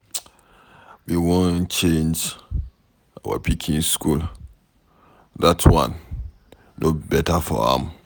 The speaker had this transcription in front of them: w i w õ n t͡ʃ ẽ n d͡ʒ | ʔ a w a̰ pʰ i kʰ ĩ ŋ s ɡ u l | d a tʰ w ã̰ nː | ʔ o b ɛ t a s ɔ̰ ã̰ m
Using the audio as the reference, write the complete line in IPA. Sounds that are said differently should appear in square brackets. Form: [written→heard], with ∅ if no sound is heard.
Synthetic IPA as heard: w i w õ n t͡ʃ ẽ n d͡ʒ | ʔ a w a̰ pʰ i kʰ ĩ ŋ s [ɡ→k] u l | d a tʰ w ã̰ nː | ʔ o b ɛ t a [s→f] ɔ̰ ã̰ m